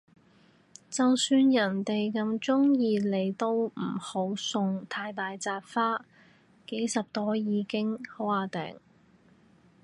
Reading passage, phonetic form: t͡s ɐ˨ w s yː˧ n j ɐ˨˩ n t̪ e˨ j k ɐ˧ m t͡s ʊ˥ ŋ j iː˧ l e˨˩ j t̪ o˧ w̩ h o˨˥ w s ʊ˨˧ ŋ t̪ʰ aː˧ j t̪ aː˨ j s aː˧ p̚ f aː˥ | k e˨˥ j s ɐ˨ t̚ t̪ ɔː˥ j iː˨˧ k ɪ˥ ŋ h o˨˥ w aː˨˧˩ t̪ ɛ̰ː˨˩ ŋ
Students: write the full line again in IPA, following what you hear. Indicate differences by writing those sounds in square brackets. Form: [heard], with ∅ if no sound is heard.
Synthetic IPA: t͡s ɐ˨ w s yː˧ n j ɐ˨˩ n t̪ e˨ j k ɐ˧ m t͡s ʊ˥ ŋ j iː˧ l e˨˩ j t̪ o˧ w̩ h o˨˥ w s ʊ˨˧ ŋ t̪ʰ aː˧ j t̪ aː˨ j [t͡s] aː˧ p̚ f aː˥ | k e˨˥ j s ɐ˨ [p̚] t̪ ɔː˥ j iː˨˧ k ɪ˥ ŋ h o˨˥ w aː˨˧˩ t̪ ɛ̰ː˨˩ ŋ

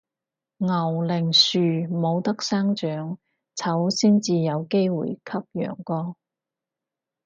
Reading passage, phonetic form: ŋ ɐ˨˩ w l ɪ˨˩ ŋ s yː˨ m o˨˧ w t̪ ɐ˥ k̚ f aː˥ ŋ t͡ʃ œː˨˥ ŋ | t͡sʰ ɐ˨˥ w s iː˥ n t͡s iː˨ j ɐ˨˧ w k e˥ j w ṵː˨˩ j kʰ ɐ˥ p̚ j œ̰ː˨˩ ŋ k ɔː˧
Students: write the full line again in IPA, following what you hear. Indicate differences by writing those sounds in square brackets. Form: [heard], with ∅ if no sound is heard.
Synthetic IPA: ŋ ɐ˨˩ w l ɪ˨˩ ŋ s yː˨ m o˨˧ w t̪ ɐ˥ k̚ [s] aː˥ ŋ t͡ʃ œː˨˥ ŋ | t͡sʰ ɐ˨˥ w s iː˥ n t͡s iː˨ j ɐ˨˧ w k e˥ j w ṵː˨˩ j kʰ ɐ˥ p̚ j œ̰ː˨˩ ŋ k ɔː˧

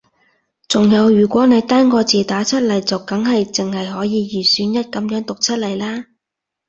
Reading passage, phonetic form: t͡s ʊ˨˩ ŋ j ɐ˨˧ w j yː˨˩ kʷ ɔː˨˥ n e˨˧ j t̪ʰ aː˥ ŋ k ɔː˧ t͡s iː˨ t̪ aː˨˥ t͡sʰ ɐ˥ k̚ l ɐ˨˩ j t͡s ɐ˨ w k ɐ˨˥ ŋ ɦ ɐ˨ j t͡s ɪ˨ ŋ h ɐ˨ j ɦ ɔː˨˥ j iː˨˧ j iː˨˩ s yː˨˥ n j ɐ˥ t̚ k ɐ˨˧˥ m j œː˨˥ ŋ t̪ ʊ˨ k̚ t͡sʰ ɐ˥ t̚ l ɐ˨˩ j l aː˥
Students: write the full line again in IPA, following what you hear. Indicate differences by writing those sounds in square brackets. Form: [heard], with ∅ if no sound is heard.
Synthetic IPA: t͡s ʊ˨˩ ŋ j ɐ˨˧ w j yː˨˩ kʷ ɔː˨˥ n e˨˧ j [t̪] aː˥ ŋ k ɔː˧ t͡s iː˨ t̪ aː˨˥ t͡sʰ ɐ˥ [t̚] l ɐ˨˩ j t͡s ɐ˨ w k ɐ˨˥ ŋ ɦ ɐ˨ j t͡s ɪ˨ ŋ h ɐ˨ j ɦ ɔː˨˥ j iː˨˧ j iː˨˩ s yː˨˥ n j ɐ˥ t̚ k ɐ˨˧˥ m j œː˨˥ ŋ t̪ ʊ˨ k̚ t͡sʰ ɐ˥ t̚ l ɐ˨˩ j l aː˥

